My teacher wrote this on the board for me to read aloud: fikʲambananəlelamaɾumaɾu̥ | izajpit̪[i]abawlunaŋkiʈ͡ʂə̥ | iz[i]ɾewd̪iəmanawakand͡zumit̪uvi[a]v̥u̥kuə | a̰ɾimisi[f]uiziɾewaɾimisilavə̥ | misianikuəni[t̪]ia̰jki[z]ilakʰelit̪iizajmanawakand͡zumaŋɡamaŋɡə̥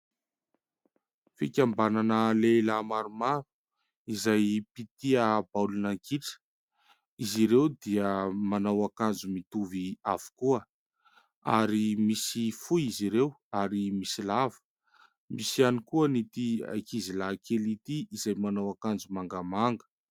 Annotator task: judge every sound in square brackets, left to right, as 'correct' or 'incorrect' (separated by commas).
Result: correct, correct, correct, correct, correct, correct